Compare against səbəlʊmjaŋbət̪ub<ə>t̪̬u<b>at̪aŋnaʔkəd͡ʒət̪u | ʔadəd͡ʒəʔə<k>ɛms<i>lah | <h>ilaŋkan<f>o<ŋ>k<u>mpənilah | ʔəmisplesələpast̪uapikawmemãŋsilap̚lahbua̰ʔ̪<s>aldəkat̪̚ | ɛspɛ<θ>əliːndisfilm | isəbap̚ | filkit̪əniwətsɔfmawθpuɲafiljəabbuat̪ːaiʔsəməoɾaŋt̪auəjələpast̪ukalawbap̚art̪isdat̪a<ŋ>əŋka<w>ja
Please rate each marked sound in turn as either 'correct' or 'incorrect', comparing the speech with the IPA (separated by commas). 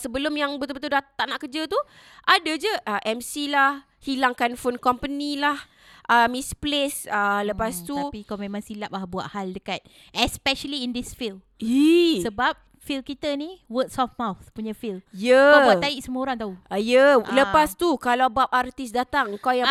correct, incorrect, incorrect, correct, correct, correct, incorrect, incorrect, incorrect, incorrect, correct, correct